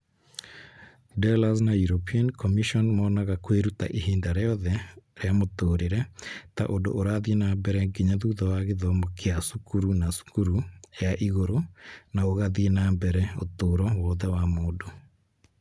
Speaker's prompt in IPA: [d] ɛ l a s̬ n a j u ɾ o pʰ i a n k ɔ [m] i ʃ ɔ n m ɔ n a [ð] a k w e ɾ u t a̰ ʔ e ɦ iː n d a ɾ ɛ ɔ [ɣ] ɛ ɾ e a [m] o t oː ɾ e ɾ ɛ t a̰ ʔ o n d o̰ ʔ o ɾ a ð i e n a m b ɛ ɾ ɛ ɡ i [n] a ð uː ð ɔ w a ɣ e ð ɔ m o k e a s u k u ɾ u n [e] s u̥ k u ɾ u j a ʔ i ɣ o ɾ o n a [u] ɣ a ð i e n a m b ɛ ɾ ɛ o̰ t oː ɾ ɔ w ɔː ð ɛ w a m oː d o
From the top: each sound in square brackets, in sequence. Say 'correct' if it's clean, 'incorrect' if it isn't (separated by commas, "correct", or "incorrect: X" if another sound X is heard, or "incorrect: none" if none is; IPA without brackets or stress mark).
correct, correct, incorrect: ɣ, incorrect: ð, correct, incorrect: ɲ, incorrect: a, incorrect: o